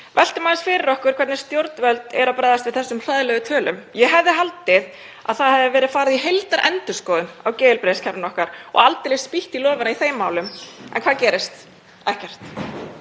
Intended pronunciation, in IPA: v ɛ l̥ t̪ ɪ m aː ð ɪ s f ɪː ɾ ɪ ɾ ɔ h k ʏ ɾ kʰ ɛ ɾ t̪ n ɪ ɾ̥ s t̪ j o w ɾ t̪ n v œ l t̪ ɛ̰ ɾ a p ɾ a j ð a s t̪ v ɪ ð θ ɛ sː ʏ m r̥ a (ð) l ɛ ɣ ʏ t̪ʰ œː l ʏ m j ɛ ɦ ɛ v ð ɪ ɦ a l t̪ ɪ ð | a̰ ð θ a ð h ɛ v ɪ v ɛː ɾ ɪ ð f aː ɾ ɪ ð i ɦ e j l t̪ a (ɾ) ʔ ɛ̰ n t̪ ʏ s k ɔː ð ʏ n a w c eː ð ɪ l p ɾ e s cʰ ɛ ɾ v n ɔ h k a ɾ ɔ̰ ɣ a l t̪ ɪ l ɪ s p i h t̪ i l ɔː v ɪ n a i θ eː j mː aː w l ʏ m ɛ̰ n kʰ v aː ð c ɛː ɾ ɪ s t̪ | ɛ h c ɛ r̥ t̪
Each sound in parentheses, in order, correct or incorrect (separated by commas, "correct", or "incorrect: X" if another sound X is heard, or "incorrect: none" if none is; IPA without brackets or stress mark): correct, correct